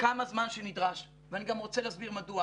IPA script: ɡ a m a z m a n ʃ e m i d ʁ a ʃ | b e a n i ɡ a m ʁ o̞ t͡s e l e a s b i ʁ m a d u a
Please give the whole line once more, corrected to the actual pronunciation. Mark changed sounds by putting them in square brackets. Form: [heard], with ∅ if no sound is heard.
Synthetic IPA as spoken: [k] a m a z m a n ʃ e [n] i d ʁ a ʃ | [v] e a n i ɡ a m ʁ o̞ t͡s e l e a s b i ʁ m a d u a

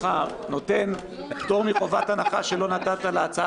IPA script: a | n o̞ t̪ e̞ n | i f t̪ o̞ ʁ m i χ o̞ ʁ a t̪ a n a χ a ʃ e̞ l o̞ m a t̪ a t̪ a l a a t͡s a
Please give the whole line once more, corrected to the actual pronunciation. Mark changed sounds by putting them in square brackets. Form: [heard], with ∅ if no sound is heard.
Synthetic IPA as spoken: a | n o̞ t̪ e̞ n | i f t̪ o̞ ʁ m i χ o̞ [v] a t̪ a n a χ a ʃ e̞ l o̞ [n] a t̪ a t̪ a l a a t͡s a

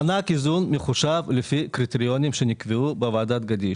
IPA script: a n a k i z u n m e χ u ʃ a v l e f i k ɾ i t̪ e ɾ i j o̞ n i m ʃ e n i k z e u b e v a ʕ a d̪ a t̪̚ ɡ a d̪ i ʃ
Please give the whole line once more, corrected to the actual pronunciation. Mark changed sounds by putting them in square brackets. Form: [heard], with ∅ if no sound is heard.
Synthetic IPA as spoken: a n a k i z u n m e χ u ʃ a v l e f i k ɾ i t̪ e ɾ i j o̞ n i m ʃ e n i k [v] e u b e v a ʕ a d̪ a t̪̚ ɡ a d̪ i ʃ

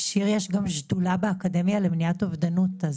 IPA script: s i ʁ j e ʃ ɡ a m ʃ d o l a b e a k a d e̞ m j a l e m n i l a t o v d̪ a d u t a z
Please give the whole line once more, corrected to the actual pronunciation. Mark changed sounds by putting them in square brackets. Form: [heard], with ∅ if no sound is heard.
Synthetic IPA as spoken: [ʃ] i ʁ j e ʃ ɡ a m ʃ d [u] l a b e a k a d e̞ m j a l e m n i [∅] a t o v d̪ a [n] u t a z

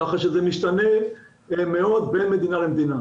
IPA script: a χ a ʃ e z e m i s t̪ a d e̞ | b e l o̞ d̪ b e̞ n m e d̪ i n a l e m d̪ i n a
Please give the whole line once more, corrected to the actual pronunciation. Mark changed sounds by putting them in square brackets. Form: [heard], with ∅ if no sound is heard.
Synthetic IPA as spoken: a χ a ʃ e z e m i [ʃ] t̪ a [n] e̞ | [m] e [∅] o̞ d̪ b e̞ n m e d̪ i n a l e m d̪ i n a

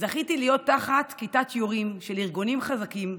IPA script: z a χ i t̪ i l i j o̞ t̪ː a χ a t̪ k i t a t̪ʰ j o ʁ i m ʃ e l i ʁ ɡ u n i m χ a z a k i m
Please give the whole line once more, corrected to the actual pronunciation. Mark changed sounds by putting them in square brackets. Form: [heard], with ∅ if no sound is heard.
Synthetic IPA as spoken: z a χ i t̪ i l i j o̞ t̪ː a χ a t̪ k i t a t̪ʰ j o ʁ i m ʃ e l i ʁ ɡ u n i m χ a z a k i m

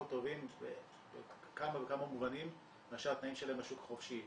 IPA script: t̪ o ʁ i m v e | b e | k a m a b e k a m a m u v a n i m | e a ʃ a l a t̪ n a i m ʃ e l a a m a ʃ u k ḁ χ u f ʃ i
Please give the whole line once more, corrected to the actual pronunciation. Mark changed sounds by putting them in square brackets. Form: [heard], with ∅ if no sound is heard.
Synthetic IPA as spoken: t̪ o [v] i m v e | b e | k a m a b e k a m a m u v a n i m | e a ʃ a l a t̪ n a i m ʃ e l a [e] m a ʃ u k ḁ χ [o] f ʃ i

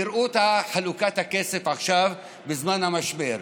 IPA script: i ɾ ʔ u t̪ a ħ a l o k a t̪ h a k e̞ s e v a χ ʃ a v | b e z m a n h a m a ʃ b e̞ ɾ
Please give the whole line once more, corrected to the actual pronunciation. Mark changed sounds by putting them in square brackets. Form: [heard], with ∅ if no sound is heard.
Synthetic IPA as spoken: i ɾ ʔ u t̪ a ħ a l [u] k a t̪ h a k e̞ s e [f] a χ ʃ a v | b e z m a n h a m a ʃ b e̞ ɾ

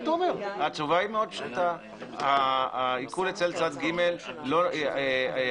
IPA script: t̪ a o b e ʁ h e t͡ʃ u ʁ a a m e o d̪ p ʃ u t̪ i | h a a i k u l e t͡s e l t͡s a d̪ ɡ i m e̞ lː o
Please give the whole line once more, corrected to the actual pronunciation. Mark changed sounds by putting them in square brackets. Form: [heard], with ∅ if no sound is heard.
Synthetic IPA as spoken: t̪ a o [m] e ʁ h [a] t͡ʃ u [v] a [i] m e o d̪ p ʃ u t̪ [a] | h a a i k u l e t͡s e l t͡s a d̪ ɡ i m e̞ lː o

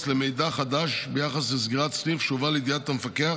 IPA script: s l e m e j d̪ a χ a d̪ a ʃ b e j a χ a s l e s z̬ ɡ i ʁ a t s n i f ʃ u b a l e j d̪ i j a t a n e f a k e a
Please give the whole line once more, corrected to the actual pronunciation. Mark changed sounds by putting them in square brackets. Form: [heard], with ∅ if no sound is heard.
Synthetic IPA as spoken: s l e m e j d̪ a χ a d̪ a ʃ b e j a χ a s l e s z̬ ɡ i ʁ a t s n i f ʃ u [v] a l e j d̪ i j a t a [m] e f a k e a

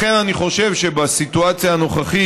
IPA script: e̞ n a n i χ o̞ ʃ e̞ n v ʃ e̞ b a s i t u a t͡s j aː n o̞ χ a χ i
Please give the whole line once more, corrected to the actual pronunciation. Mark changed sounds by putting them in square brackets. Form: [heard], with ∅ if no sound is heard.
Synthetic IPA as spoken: e̞ n a n i χ o̞ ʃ e̞ [∅] v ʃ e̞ b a s i t u a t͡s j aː n o̞ χ a χ i

